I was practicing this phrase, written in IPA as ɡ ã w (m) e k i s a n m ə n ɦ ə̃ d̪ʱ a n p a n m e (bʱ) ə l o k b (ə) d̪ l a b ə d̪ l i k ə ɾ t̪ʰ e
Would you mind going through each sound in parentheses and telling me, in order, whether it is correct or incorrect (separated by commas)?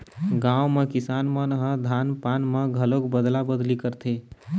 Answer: correct, incorrect, correct